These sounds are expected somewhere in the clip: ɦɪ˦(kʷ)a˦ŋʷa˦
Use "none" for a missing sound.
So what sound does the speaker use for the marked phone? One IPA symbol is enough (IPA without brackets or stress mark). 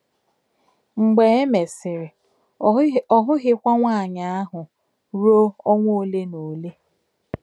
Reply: kʷ